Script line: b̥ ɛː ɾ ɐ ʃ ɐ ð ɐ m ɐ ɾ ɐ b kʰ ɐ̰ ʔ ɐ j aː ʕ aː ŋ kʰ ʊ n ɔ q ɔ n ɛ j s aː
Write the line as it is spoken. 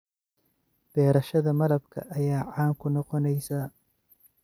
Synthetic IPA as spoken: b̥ ɛː ɾ ɐ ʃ ɐ ð ɐ m ɐ l ɐ b kʰ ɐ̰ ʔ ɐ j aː ʕ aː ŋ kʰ ʊ n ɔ q ɔ n ɛ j s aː